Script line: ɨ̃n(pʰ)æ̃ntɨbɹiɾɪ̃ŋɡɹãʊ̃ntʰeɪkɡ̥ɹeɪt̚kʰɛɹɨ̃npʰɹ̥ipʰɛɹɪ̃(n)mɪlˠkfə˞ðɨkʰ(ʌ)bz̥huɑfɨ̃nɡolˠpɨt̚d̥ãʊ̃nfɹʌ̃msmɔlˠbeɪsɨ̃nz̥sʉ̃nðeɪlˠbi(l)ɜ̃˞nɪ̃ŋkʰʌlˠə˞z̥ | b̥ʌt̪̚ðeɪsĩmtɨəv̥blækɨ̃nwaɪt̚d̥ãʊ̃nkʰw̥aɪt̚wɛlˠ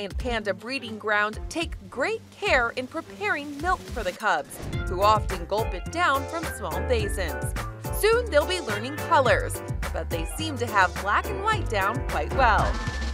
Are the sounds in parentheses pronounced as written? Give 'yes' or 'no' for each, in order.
yes, no, yes, yes

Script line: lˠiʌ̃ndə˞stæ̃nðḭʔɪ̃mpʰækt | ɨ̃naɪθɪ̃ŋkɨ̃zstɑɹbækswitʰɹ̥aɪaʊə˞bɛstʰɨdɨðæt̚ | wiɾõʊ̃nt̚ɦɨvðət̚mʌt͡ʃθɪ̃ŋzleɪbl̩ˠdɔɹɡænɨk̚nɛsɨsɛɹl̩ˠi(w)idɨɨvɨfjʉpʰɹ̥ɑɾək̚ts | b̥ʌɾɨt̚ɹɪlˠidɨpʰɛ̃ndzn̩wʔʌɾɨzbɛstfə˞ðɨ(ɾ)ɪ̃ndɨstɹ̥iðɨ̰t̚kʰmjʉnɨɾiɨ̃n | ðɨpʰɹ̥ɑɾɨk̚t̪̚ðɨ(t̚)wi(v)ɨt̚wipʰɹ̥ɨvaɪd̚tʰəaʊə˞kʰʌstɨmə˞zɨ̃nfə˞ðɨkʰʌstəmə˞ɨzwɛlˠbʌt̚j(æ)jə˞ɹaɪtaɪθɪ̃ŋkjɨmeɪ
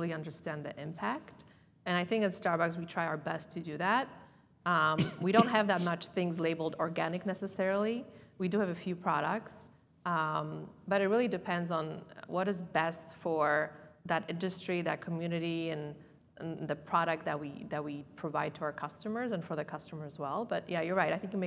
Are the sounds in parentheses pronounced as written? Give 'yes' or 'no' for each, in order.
yes, yes, yes, no, yes

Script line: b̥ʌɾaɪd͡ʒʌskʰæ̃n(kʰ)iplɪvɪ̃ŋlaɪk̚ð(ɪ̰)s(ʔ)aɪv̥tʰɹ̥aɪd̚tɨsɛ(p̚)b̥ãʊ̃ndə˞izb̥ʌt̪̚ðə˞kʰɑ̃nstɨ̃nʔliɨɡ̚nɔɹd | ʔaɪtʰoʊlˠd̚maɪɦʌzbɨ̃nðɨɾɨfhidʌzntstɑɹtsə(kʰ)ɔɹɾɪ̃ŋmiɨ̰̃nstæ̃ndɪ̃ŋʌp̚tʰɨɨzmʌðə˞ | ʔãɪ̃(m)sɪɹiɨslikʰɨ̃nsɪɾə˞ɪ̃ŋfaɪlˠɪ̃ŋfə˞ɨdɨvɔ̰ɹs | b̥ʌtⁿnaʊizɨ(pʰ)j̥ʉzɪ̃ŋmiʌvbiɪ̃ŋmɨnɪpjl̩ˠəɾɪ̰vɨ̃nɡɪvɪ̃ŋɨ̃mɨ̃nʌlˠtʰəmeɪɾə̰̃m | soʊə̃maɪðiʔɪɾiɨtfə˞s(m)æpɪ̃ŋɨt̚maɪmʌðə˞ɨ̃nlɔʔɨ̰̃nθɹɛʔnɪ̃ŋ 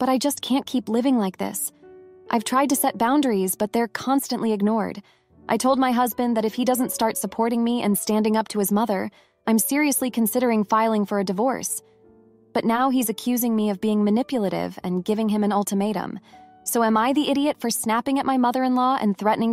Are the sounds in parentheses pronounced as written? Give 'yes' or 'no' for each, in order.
yes, yes, yes, no, no, yes, no, no

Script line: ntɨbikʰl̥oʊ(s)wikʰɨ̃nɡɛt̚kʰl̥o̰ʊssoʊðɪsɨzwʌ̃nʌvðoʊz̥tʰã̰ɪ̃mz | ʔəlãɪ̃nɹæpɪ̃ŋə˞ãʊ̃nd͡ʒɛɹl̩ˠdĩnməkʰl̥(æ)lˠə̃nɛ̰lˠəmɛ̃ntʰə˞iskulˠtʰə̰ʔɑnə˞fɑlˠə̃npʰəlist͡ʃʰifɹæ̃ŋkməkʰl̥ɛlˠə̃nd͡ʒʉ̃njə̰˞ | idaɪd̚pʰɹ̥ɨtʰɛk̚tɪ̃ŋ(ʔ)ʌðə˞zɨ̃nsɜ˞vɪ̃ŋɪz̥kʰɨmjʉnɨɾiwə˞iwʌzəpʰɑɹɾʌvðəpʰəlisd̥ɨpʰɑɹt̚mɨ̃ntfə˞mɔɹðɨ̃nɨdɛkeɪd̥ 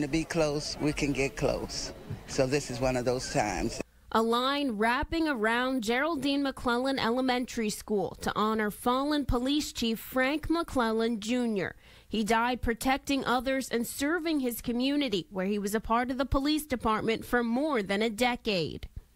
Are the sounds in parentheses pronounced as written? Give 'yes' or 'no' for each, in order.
yes, no, yes

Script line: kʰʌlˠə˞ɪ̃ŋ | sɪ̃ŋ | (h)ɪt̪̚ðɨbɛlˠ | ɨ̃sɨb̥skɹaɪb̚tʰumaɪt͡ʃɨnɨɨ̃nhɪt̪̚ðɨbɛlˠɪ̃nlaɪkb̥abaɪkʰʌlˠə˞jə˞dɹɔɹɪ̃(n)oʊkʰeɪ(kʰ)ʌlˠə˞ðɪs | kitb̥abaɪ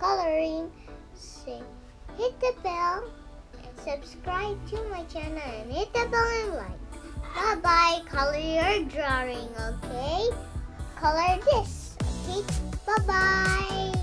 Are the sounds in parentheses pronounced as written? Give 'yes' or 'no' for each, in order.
yes, no, yes

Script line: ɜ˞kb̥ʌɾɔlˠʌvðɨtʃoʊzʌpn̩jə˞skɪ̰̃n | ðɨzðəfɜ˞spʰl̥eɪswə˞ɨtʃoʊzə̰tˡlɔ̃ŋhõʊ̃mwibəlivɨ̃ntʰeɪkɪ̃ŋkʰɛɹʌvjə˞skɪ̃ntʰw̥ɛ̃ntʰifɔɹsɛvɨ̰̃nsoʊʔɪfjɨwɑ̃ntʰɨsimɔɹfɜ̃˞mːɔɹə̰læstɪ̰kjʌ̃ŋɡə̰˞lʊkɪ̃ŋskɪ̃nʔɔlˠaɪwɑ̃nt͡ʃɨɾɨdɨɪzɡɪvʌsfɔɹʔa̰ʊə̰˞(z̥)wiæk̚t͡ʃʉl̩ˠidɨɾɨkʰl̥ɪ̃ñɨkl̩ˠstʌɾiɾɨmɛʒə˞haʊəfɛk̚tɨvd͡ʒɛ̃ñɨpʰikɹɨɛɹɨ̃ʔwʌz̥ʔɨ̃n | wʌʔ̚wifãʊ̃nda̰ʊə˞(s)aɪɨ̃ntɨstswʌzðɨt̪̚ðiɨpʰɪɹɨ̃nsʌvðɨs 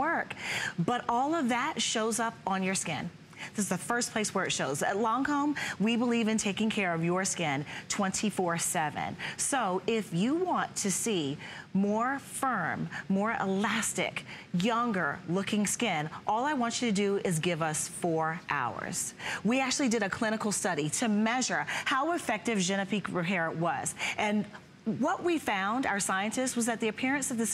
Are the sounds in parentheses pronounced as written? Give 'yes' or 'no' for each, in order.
yes, yes

